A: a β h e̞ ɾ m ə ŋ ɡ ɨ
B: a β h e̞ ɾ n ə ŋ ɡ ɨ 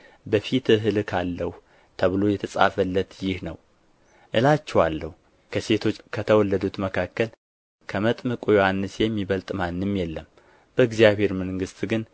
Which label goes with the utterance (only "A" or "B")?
A